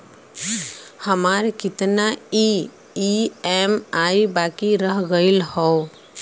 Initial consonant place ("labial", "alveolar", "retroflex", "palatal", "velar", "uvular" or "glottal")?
glottal